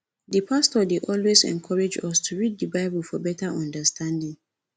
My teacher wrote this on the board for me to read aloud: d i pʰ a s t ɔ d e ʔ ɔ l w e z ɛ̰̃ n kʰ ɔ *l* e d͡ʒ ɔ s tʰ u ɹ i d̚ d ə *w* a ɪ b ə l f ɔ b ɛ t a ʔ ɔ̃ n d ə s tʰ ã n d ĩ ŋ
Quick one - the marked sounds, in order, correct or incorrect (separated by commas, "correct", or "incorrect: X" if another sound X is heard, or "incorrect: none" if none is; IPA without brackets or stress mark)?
incorrect: ɹ, incorrect: b